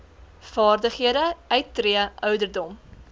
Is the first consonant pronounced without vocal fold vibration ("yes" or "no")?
yes